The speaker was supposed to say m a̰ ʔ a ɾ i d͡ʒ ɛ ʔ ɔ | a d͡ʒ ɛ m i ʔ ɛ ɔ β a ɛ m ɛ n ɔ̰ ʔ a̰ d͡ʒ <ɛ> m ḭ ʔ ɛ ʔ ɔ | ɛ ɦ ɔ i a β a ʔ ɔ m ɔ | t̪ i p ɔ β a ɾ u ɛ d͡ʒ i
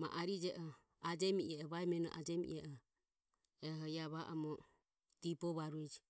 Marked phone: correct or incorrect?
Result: correct